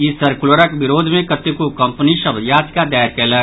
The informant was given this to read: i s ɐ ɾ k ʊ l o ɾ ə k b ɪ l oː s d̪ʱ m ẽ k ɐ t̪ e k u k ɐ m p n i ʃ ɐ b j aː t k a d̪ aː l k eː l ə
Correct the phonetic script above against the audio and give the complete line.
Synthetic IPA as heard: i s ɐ ɾ k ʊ l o ɾ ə k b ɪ ɾ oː d̪ʱ m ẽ k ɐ t̪ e k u k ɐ m p n i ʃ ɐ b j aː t k a d̪ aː ɾ k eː l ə